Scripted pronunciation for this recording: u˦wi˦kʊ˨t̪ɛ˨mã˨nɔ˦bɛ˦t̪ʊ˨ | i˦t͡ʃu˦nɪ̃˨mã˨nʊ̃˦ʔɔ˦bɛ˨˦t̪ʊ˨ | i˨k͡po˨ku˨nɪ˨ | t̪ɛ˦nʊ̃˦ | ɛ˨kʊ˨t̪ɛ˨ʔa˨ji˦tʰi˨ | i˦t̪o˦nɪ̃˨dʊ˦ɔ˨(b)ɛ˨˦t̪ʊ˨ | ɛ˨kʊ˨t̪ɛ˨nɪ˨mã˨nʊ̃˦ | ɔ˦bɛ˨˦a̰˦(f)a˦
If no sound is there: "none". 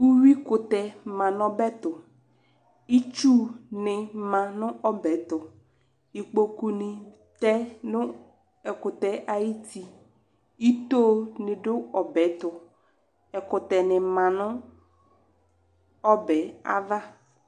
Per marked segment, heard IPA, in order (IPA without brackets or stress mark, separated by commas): b, v